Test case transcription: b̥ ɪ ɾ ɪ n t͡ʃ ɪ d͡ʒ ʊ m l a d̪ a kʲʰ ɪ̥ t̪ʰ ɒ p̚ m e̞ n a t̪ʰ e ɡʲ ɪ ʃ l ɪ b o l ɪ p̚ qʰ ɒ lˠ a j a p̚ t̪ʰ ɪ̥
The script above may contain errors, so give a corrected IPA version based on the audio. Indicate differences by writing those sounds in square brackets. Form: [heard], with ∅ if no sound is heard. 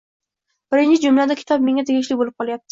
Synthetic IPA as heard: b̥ ɪ ɾ ɪ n t͡ʃ ɪ d͡ʒ ʊ m l a d̪ a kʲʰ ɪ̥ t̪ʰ ɒ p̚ m e̞ [ŋ] a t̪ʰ e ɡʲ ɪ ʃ l ɪ b o l ɪ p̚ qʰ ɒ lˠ a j a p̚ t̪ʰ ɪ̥